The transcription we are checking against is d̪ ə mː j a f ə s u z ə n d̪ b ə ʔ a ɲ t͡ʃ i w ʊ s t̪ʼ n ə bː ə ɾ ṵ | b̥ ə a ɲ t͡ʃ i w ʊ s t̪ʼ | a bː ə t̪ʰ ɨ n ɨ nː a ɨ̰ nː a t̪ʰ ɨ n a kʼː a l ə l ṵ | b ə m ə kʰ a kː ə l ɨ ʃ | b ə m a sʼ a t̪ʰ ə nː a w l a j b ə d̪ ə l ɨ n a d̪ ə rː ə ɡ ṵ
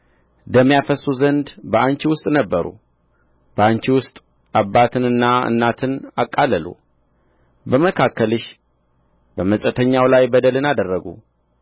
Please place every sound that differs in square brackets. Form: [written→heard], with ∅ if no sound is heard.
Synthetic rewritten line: d̪ ə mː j a f ə s u z ə n d̪ b ə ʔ a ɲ t͡ʃ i w ʊ s t̪ʼ n ə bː ə ɾ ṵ | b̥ ə a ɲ t͡ʃ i w ʊ s t̪ʼ | a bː [ə→a] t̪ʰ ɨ n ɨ nː a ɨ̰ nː a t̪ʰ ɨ n a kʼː a l ə l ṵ | b ə m ə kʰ a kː ə l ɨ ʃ | b ə m [a→ə] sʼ [a→ə] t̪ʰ ə [nː→ɲː] a w l a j b ə d̪ ə l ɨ n a d̪ ə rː ə ɡ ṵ